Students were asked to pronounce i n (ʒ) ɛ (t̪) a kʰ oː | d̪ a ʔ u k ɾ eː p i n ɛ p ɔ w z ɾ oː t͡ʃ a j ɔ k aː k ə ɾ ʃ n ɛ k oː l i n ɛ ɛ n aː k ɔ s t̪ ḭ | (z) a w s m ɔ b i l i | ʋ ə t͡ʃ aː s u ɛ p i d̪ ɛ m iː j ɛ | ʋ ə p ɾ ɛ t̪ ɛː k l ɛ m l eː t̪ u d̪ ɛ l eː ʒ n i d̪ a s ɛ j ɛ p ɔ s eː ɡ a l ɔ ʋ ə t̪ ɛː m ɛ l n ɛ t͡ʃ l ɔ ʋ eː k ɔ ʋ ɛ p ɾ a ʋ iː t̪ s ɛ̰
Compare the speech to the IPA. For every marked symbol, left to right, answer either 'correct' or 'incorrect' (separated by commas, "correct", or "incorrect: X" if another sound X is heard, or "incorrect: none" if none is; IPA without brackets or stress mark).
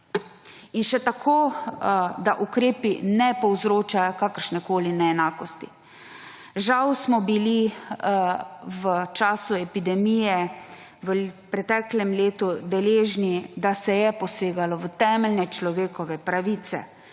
incorrect: ʃ, correct, incorrect: ʒ